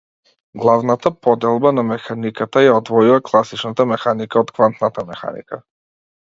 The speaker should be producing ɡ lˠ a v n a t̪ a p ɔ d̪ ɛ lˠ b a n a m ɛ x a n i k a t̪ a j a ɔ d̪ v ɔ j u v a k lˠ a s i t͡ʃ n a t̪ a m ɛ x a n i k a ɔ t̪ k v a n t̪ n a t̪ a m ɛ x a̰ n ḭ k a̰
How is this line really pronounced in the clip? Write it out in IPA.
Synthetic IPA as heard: ɡ lˠ a v n a t̪ a p ɔ d̪ ɛ lˠ b a n a m ɛ x a n i k a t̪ a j a ɔ d̪ v ɔ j u v a k lˠ a s i t͡ʃ n a t̪ a m ɛ x a n i k a ɔ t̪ k v a n t̪ n a t̪ a m ɛ x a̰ n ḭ k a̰

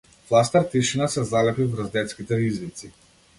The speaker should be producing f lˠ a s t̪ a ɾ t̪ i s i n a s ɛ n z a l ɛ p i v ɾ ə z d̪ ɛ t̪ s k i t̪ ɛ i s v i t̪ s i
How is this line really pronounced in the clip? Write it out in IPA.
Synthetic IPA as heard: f lˠ a s t̪ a ɾ t̪ i ʃ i n a s ɛ z a l ɛ p i v ɾ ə z d̪ ɛ t̪ s k i t̪ ɛ i z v i t̪ s i

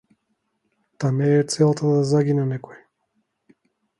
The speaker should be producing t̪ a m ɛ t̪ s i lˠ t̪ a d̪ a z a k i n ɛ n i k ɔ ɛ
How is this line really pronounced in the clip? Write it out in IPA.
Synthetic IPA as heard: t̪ a m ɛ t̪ s ɛ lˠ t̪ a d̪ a z a ɡ i n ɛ n ɛ k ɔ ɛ

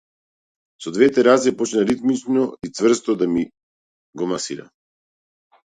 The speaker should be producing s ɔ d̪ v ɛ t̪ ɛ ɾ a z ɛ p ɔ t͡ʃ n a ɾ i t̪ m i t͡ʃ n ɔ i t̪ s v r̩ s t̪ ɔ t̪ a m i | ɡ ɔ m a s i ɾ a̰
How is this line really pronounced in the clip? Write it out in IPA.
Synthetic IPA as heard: s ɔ d̪ v ɛ t̪ ɛ ɾ a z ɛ p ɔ t͡ʃ n a ɾ i t̪ m i t͡ʃ n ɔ i t̪ s v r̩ s t̪ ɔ d̪ a m i | ɡ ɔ m a s i ɾ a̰

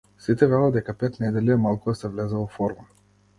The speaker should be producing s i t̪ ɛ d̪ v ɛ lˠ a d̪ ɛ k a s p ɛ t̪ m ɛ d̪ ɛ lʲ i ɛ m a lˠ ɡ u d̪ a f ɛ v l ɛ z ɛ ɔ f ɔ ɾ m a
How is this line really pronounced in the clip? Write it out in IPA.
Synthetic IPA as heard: s i t̪ ɛ v ɛ lˠ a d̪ ɛ k a p ɛ t̪ n ɛ d̪ ɛ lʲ i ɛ m a lˠ k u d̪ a s ɛ v l ɛ z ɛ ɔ f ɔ ɾ m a

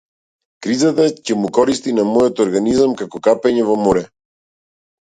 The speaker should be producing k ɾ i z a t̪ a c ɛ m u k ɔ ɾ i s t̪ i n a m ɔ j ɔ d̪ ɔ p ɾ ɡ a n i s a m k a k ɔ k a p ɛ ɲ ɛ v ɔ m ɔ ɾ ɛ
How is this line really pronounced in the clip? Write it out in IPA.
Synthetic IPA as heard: k ɾ i z a t̪ a c ɛ m u k ɔ ɾ i s t̪ i n a m ɔ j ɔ t̪ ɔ ɾ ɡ a n i z a m k a k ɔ k a p ɛ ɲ ɛ v ɔ m ɔ ɾ ɛ

